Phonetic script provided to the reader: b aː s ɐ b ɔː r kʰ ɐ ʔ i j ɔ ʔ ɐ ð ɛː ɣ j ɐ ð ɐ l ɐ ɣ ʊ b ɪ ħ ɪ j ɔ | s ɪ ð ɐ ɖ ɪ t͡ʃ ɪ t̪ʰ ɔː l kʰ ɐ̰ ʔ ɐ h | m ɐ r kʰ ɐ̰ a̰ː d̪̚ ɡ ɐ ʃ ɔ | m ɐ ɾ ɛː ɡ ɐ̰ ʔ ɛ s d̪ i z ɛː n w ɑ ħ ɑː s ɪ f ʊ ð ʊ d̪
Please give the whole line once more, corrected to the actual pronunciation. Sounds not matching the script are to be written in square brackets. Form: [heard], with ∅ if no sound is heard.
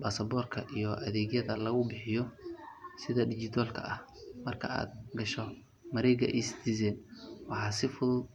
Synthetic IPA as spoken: b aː s ɐ b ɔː r kʰ ɐ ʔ i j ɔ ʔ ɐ ð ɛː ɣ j ɐ ð ɐ l ɐ ɣ ʊ b ɪ ħ ɪ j ɔ | s ɪ ð ɐ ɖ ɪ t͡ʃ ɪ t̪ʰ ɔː l kʰ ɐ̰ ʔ ɐ h | m ɐ r kʰ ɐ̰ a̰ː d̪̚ ɡ ɐ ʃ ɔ | m ɐ ɾ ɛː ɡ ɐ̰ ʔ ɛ s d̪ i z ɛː n w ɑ ħ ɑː s ɪ f ʊ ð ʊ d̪